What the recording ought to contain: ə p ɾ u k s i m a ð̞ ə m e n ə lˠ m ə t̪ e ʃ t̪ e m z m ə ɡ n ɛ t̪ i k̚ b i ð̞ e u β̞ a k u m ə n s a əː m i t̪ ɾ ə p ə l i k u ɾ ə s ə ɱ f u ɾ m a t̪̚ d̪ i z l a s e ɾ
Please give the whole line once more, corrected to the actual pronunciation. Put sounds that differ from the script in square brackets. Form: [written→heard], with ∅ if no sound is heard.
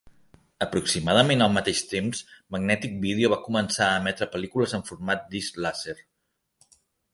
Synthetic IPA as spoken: ə p ɾ u k s i m a ð̞ ə m e n ə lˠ m ə t̪ e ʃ t̪ e m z m ə ɡ n ɛ t̪ i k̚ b i ð̞ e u β̞ a k u m ə n s a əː m [i→ɛ] t̪ ɾ ə p ə l i k u [ɾ→l] ə [s→z] ə ɱ f u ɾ m a t̪̚ d̪ i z l a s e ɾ